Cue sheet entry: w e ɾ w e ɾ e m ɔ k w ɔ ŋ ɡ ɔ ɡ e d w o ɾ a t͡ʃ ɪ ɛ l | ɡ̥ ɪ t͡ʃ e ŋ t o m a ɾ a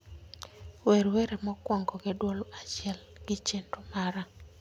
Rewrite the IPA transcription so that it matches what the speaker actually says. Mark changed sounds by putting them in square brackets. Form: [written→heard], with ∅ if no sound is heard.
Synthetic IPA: w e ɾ w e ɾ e m ɔ k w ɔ ŋ ɡ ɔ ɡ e d w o [ɾ→l] a t͡ʃ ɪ ɛ l | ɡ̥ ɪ t͡ʃ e [ŋ→n] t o m a ɾ a